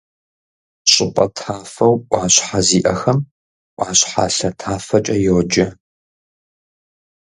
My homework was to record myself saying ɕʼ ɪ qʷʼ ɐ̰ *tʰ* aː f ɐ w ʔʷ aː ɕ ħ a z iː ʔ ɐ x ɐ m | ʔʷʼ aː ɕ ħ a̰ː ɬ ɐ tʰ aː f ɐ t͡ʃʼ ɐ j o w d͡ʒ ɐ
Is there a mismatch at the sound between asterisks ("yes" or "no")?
no